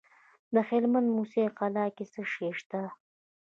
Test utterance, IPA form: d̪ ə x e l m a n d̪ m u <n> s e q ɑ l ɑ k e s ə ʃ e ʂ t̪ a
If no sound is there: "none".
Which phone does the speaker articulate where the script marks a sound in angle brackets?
none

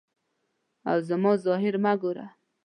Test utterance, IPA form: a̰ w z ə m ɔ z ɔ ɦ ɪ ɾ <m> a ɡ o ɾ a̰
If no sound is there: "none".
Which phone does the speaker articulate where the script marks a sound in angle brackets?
m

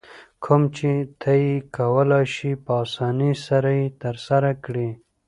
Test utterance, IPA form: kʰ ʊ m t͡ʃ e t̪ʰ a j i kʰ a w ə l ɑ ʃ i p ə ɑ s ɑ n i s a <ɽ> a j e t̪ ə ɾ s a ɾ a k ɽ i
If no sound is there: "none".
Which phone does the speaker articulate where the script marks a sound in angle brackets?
ɾ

